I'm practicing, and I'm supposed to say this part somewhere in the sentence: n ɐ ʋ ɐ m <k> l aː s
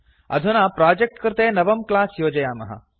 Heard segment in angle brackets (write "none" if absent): k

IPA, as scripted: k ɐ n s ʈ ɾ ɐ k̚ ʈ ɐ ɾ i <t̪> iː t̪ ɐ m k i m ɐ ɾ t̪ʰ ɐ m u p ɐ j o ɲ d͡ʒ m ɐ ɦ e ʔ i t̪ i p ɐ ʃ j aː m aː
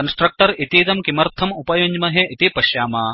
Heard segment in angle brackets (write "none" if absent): t̪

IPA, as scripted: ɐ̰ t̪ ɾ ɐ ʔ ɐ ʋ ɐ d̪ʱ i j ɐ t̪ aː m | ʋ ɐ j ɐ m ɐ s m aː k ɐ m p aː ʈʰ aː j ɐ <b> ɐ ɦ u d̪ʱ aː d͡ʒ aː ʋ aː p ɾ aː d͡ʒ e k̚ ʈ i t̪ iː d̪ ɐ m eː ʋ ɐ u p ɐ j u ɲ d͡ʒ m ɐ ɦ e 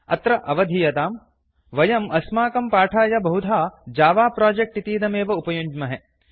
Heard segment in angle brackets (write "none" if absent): b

